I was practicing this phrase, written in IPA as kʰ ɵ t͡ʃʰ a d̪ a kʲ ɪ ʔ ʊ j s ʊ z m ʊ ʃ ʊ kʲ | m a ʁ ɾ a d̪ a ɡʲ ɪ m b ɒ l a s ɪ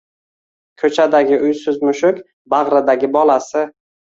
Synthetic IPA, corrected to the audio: kʰ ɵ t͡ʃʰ a d̪ a ɡʲ ɪ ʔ ʊ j s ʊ z m ʊ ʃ ʊ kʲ | b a ʁ ɾ a d̪ a ɡʲ ɪ b ɒ l a s ɪ